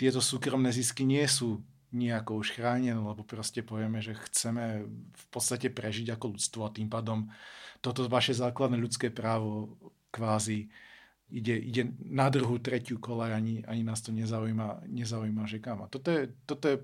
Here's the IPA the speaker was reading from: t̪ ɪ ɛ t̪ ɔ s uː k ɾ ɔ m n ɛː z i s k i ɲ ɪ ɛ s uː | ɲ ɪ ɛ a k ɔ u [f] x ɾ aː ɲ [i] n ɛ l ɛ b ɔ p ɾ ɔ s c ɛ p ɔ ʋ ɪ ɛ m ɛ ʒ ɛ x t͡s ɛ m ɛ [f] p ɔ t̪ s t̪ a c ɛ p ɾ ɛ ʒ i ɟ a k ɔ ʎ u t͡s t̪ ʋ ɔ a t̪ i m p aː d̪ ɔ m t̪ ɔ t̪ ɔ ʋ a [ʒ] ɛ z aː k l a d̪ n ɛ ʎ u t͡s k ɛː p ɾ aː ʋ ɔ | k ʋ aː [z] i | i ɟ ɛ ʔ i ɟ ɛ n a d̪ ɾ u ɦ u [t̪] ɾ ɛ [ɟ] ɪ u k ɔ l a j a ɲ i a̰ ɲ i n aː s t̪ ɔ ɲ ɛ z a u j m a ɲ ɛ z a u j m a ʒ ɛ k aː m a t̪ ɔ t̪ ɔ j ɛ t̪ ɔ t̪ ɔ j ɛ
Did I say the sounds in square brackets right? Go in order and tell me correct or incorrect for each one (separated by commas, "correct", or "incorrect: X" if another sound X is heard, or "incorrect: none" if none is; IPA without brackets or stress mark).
incorrect: ʃ, incorrect: ɛ, correct, incorrect: ʃ, correct, correct, incorrect: c